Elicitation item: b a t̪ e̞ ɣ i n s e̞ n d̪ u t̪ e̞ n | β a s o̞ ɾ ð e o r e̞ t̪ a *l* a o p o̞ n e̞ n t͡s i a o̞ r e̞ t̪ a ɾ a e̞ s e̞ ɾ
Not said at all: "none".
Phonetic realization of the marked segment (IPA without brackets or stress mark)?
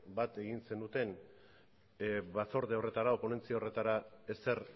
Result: ɾ